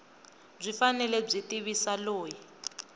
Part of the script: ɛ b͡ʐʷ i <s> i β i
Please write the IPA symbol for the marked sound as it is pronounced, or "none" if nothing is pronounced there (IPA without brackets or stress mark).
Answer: t